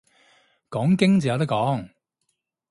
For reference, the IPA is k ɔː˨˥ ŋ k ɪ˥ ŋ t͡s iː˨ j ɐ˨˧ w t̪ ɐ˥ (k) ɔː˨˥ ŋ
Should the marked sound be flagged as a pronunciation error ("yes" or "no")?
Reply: no